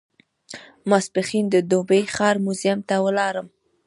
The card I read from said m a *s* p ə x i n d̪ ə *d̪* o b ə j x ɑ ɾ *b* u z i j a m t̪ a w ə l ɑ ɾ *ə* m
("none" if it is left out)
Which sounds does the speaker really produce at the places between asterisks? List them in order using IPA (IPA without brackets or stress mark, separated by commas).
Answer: s, d̪, m, ə